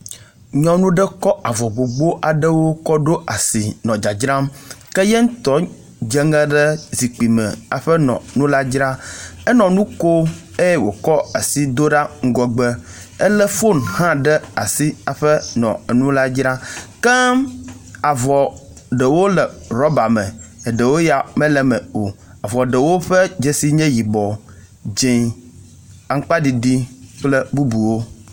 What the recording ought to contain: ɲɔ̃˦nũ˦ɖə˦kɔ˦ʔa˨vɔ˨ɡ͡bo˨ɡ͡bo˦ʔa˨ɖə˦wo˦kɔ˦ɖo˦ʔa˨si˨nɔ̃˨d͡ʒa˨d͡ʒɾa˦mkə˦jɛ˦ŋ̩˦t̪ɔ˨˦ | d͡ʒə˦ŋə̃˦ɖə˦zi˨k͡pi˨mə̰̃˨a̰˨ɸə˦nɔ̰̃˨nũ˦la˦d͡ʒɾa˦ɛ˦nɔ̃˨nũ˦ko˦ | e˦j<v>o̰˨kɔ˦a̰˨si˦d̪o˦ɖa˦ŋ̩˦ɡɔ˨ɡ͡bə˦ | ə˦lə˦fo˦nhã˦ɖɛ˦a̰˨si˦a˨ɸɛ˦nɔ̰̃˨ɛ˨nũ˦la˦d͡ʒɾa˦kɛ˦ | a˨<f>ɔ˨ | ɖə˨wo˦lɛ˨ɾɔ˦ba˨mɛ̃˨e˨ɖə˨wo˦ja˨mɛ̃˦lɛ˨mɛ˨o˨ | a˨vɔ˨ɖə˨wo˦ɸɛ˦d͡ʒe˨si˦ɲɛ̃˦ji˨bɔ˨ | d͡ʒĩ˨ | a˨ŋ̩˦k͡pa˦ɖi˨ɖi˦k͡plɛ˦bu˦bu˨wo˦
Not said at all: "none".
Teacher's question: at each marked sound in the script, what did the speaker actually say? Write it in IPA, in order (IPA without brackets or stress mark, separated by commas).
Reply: w, v